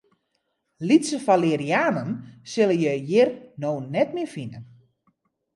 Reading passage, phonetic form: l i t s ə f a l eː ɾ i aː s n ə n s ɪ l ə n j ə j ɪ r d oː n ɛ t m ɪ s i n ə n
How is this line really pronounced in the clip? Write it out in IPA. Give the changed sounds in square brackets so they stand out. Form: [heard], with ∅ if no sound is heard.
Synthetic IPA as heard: l i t s ə f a l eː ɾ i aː [∅] n ə n s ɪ l ə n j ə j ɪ r [n] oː n ɛ t m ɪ [f] i n ə n